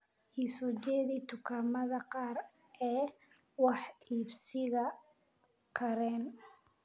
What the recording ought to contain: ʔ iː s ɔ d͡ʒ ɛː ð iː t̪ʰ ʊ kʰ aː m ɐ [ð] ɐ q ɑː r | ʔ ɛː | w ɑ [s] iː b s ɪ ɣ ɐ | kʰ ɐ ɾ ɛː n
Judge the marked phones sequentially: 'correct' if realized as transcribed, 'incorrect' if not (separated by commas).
correct, incorrect